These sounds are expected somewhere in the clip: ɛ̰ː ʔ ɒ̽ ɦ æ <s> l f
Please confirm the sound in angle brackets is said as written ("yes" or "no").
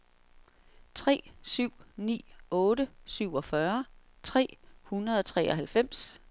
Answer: no